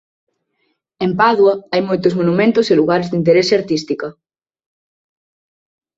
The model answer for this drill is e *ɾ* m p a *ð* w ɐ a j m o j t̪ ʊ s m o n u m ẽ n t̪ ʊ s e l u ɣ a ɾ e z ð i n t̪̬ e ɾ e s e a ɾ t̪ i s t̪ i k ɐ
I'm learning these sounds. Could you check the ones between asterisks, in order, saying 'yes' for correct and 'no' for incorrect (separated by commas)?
no, yes